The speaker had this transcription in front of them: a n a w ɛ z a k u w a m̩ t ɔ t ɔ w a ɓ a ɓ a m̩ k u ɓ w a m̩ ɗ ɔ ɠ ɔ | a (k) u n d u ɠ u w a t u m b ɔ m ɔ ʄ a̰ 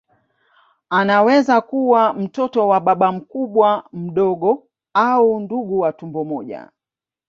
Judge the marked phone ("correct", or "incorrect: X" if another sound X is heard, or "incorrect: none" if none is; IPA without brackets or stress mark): incorrect: none